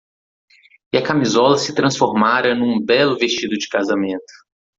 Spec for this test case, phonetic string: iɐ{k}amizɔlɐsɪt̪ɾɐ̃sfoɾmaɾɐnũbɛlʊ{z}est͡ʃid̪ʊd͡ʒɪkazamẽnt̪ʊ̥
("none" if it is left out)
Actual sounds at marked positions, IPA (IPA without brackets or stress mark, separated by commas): k, v